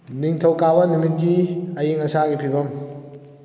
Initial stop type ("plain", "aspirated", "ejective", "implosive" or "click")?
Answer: aspirated